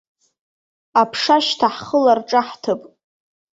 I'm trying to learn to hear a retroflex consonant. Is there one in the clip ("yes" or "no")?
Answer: yes